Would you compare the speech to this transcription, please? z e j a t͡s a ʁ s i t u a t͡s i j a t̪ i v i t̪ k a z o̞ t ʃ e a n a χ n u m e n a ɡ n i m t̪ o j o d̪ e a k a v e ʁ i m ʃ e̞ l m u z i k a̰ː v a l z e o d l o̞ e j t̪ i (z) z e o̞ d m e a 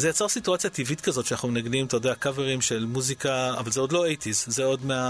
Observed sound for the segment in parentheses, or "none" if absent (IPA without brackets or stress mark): z